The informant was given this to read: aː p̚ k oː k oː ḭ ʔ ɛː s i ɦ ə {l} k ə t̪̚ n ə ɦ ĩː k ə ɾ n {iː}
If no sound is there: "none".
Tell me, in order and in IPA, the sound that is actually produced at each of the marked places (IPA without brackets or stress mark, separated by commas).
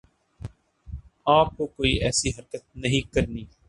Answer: ɾ, iː